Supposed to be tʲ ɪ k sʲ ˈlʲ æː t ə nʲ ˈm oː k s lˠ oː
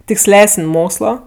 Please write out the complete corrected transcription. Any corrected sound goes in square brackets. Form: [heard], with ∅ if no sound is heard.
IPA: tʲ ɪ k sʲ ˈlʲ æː [s] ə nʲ ˈm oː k s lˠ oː